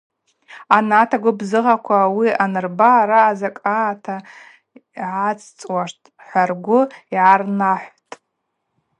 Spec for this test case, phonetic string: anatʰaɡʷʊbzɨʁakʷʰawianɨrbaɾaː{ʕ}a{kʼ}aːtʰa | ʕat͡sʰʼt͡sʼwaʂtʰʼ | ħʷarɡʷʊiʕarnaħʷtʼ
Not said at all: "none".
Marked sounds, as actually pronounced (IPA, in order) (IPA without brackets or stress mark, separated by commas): z, kʼ